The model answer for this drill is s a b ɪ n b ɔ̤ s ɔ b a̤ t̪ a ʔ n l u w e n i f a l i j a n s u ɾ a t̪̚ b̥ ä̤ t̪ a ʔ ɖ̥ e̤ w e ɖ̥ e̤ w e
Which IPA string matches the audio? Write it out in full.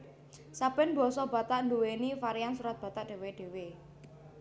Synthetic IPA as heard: s a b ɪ n b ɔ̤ s ɔ b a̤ t̪ a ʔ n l u w e n i f a ɾ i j a n s u ɾ a t̪̚ b̥ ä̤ t̪ a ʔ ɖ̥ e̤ w e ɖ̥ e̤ w e